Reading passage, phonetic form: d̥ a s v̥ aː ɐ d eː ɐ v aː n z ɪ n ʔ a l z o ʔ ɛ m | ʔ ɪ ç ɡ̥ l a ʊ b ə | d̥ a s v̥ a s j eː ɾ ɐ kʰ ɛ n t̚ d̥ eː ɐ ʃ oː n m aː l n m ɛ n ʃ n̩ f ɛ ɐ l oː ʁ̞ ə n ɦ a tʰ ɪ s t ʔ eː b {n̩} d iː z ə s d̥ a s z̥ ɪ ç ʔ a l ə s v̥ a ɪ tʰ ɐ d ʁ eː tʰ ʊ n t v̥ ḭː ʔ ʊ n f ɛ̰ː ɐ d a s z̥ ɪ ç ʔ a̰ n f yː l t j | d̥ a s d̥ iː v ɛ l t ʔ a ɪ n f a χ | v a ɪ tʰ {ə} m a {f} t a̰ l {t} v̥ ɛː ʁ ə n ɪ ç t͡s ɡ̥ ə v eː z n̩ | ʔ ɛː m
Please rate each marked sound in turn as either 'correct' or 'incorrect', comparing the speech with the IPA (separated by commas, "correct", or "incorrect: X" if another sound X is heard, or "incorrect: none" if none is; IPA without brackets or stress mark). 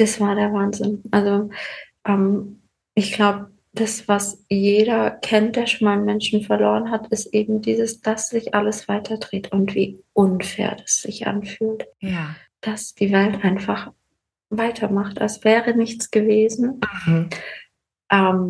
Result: incorrect: m̩, incorrect: ɐ, incorrect: χ, incorrect: s